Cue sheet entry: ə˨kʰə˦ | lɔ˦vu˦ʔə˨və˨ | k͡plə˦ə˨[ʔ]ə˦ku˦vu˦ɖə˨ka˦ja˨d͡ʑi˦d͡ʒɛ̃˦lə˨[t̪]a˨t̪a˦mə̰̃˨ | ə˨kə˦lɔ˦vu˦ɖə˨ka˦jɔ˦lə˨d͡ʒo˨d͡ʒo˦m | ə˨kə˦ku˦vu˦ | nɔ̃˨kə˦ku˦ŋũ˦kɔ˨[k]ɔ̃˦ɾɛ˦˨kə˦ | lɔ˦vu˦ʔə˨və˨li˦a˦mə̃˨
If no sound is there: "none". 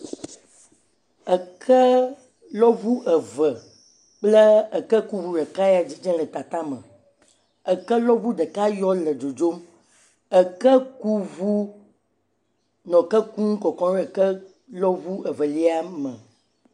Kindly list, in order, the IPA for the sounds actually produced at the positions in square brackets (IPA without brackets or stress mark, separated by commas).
k, t̪, k